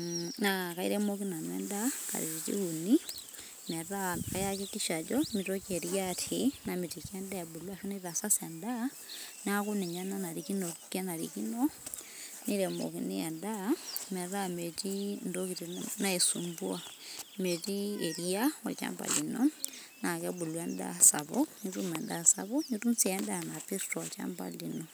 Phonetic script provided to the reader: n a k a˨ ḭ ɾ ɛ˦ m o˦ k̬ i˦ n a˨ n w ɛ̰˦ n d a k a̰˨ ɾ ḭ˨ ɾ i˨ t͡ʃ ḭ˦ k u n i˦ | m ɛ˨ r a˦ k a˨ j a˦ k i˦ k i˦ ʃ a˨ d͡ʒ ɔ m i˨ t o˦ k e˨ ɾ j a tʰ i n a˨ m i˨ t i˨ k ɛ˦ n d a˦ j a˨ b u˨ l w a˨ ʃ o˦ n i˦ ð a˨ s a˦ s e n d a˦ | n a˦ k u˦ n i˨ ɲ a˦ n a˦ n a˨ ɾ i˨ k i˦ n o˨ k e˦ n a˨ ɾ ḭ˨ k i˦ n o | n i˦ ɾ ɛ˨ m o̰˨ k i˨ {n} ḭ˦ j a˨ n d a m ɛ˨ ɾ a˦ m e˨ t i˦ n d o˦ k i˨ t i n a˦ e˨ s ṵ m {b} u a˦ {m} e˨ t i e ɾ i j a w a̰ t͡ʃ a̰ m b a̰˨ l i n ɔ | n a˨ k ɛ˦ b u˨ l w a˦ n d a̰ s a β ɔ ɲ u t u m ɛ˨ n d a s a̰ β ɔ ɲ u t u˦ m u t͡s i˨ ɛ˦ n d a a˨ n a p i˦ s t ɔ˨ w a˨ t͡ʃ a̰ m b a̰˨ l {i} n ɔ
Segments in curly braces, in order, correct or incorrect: correct, correct, correct, correct

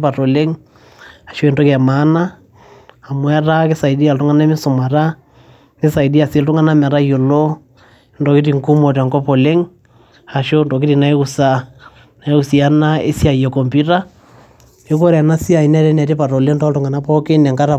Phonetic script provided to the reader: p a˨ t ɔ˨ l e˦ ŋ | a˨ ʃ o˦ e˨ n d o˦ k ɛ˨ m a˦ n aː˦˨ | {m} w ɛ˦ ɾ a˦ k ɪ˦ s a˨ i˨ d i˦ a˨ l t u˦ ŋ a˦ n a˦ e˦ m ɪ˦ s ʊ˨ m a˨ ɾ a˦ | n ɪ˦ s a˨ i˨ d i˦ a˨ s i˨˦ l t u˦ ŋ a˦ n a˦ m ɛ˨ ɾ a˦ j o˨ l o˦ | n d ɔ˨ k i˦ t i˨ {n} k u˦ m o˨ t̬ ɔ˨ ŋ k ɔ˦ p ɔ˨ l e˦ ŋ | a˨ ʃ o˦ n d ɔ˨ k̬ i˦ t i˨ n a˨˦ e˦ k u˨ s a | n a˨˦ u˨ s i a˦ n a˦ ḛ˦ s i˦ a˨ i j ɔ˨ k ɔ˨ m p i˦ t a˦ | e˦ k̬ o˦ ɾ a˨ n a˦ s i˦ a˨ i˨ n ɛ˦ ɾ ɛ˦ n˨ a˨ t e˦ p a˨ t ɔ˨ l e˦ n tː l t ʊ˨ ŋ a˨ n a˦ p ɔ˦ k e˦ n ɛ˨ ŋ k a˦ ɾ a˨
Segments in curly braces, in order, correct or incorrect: correct, incorrect: ŋ

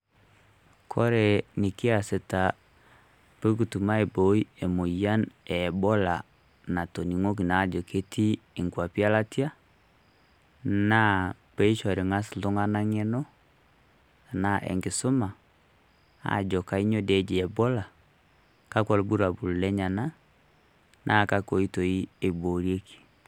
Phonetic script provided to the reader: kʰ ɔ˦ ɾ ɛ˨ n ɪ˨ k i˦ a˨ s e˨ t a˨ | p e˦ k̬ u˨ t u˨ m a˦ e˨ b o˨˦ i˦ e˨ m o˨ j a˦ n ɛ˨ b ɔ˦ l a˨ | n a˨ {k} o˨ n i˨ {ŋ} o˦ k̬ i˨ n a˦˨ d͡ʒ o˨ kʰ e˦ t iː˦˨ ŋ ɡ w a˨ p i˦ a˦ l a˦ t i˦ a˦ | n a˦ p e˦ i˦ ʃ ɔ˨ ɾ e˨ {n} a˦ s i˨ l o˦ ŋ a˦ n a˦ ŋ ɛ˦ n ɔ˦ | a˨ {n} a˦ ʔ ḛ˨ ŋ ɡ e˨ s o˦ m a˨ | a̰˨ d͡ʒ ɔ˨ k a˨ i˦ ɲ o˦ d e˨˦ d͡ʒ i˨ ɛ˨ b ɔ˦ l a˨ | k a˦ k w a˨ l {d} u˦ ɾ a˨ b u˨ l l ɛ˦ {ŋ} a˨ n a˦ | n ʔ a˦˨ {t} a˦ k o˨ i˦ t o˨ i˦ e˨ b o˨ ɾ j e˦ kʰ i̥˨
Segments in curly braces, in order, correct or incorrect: incorrect: t, correct, incorrect: ŋ, correct, incorrect: b, incorrect: ɲ, incorrect: k

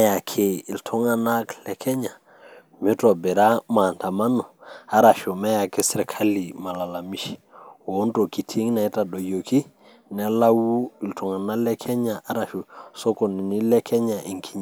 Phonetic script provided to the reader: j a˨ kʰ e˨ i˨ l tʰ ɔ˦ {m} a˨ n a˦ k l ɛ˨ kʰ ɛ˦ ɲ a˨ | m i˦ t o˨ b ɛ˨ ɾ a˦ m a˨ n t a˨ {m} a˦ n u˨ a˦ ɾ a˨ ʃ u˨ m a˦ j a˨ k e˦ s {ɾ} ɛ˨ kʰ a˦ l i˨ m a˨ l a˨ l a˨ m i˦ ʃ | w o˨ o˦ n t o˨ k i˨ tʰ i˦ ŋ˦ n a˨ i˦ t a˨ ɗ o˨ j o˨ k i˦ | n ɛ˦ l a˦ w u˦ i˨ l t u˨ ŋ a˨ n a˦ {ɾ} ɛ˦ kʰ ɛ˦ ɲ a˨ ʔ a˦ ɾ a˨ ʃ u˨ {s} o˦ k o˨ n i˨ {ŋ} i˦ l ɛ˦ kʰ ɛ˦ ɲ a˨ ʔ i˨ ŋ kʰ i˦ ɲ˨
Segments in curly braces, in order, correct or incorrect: incorrect: ŋ, correct, correct, incorrect: l, correct, incorrect: n

